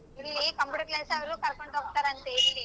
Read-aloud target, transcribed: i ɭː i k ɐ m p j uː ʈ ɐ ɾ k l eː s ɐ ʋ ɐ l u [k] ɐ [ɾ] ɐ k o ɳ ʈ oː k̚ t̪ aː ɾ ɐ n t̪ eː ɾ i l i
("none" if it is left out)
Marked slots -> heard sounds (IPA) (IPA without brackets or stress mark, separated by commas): k, ɾ